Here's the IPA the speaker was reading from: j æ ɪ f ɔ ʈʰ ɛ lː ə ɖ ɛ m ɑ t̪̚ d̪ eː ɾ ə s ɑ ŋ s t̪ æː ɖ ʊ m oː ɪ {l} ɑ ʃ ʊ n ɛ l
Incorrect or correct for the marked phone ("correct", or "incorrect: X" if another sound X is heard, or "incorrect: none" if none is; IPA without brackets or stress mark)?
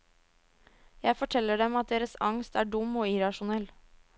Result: incorrect: ɾ